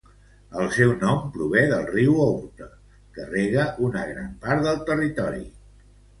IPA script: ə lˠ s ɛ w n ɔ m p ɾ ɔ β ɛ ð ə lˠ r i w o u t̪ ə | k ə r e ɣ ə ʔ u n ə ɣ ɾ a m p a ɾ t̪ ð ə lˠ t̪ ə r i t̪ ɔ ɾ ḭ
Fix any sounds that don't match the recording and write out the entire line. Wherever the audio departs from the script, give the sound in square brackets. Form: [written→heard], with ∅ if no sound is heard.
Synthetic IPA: ə lˠ s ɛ w n ɔ m p ɾ [ɔ→u] β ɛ ð ə lˠ r i w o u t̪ ə | k ə r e ɣ ə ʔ u n ə ɣ ɾ a m p a ɾ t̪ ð ə lˠ t̪ ə r i t̪ ɔ ɾ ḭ